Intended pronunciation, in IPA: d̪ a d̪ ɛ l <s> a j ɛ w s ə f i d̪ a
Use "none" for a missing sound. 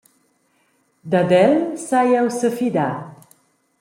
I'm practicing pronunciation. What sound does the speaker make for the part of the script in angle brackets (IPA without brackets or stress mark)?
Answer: s